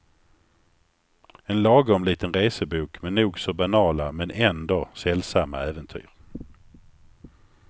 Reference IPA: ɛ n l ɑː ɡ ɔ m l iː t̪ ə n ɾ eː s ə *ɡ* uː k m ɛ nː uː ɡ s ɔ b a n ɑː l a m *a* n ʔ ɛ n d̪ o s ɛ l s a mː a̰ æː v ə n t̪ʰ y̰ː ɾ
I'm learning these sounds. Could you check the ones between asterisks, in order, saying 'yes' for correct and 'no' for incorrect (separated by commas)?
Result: no, no